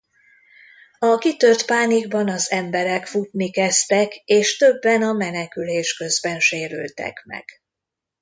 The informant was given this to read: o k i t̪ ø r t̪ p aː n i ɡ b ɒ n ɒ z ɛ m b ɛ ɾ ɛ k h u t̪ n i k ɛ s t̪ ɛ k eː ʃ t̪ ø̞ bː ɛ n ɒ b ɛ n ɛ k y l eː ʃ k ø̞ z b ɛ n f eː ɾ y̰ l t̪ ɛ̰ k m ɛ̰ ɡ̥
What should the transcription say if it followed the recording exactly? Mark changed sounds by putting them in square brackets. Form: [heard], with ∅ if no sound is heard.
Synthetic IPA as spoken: [ɒ] k i t̪ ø r t̪ p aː n i ɡ b ɒ n ɒ z ɛ m b ɛ ɾ ɛ k [f] u t̪ n i k ɛ s t̪ ɛ k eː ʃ t̪ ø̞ bː ɛ n ɒ [m] ɛ n ɛ k y l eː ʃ k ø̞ z b ɛ n [ʃ] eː ɾ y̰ l t̪ ɛ̰ k m ɛ̰ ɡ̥